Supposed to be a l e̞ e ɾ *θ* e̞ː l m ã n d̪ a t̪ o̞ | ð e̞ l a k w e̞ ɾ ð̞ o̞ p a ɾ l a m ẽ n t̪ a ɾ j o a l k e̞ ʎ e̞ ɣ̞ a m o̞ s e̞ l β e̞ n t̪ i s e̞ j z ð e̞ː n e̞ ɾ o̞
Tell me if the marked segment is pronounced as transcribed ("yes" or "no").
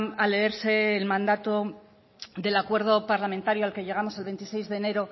no